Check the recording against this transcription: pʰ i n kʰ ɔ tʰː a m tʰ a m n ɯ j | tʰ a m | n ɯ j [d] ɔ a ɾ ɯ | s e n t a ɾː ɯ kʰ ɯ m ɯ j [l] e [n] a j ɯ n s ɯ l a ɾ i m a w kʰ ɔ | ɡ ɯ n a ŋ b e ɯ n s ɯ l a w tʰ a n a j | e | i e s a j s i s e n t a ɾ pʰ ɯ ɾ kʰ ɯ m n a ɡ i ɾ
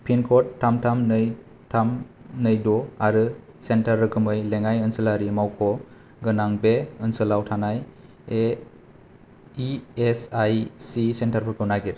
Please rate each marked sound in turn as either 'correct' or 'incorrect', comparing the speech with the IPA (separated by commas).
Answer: correct, correct, incorrect